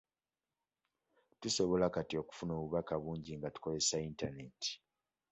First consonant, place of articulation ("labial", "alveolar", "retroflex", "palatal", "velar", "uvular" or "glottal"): alveolar